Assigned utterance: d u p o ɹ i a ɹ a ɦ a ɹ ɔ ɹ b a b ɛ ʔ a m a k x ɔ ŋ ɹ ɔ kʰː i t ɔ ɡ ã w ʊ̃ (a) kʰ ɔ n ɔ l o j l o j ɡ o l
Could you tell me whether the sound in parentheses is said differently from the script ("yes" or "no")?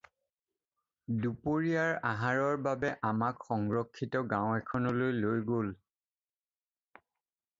yes